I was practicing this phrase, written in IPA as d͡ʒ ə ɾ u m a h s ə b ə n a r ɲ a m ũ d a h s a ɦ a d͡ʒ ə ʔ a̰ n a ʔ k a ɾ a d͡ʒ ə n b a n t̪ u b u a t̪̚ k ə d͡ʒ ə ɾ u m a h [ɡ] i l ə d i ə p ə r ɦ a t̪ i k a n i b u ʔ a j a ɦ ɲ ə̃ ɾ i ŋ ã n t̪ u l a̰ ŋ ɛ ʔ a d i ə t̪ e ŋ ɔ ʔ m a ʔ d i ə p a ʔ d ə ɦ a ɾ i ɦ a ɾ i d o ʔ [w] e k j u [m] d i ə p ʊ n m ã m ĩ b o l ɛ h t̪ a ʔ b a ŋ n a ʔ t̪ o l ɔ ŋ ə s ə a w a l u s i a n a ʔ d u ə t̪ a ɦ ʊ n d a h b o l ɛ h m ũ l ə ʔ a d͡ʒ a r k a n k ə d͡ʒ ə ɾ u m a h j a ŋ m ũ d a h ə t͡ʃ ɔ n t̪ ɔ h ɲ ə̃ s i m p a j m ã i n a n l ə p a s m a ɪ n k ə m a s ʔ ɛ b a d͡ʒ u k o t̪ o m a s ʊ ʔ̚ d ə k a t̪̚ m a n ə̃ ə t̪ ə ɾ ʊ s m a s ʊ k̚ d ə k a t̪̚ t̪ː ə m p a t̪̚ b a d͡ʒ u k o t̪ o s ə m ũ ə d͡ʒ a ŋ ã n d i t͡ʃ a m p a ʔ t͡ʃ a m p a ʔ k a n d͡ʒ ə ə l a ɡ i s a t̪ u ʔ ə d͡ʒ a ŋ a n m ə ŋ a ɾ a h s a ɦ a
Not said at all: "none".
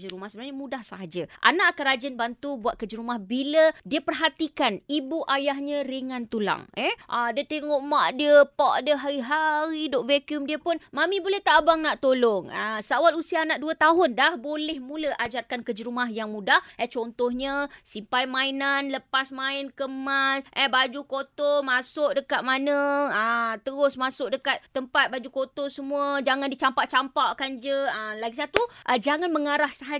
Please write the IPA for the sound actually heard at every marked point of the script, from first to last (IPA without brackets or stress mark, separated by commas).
b, v, m